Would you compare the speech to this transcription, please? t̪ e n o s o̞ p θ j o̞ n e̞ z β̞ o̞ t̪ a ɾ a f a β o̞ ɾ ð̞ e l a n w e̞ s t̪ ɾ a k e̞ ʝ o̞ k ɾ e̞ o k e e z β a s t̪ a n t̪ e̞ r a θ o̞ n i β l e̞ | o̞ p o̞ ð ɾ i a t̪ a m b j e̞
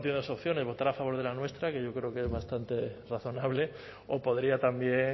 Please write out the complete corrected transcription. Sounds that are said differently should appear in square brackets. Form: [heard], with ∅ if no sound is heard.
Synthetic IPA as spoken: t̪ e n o s o̞ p θ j o̞ n e̞ z β̞ o̞ t̪ a ɾ a f a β o̞ ɾ ð̞ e l a n w e̞ s t̪ ɾ a k e̞ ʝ o̞ k ɾ e̞ o k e e z β a s t̪ a n t̪ e̞ r a θ o̞ n [a] β l e̞ | o̞ p o̞ ð ɾ i a t̪ a m b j e̞